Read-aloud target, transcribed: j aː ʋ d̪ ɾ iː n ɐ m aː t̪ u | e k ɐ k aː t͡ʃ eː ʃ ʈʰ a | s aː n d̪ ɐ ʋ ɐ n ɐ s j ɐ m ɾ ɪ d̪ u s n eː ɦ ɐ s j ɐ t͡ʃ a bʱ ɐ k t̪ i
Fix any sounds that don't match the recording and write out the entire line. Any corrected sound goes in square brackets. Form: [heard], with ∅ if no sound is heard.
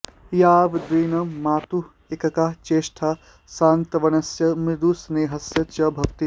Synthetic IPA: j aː ʋ d̪ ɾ iː n ɐ m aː t̪ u | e k ɐ k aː t͡ʃ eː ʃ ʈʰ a | s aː n [t̪] ɐ ʋ ɐ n ɐ s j ɐ m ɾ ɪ d̪ u s n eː ɦ ɐ s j ɐ t͡ʃ [ɐ] bʱ ɐ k t̪ i